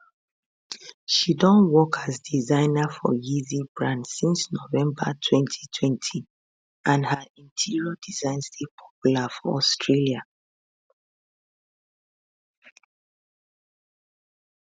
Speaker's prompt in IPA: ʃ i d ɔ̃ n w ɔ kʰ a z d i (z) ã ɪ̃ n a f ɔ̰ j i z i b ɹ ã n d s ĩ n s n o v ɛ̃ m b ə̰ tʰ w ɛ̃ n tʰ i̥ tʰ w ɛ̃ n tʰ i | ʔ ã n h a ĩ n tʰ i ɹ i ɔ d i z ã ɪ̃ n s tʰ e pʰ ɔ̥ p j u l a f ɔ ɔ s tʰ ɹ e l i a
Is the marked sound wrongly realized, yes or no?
no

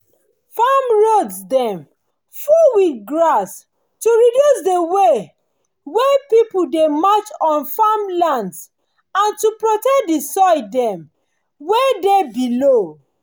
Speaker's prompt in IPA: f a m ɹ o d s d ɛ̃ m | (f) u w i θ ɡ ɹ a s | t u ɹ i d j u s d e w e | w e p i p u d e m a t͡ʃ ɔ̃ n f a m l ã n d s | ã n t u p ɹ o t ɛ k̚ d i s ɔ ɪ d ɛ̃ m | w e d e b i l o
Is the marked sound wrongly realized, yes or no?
no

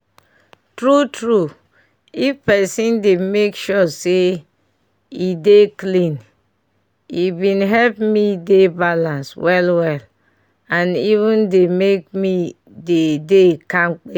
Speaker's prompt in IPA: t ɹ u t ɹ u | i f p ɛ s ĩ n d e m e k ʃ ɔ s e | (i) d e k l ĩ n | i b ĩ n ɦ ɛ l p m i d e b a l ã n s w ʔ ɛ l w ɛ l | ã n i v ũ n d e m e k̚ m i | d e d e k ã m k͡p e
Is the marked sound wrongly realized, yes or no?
no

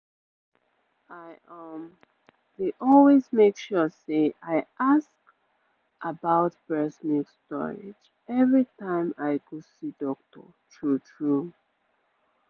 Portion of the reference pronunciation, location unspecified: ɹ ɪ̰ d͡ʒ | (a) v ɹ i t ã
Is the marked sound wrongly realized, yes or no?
yes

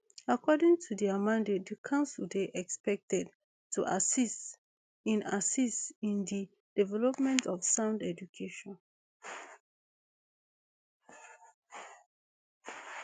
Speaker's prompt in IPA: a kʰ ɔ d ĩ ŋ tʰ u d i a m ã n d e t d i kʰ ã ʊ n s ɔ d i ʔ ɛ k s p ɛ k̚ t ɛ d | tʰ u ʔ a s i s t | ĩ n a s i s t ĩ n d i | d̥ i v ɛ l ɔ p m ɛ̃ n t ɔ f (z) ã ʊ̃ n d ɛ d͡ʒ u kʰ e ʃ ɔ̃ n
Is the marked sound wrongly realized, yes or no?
yes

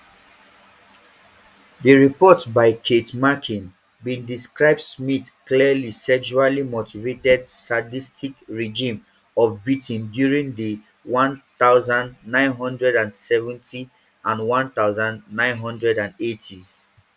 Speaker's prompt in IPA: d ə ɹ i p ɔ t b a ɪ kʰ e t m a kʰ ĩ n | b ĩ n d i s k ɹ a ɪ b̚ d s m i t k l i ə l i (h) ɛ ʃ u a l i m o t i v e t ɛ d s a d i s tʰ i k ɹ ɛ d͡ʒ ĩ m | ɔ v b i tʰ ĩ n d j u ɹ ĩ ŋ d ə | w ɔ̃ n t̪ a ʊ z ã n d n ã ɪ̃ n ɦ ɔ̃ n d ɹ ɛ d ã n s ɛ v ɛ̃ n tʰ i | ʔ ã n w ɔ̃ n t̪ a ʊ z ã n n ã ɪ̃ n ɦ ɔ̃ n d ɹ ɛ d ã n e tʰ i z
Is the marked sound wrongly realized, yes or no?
yes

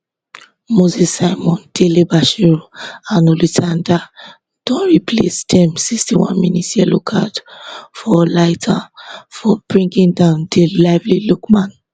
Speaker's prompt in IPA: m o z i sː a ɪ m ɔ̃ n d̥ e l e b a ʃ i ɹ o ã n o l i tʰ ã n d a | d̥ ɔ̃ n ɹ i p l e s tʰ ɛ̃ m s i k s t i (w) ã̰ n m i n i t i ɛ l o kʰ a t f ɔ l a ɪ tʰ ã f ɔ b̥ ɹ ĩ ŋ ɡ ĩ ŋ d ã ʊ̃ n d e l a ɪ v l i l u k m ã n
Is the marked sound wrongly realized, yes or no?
no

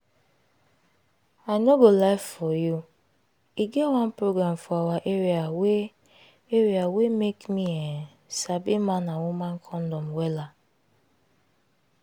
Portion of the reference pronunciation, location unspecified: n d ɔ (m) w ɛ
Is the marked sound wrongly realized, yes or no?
no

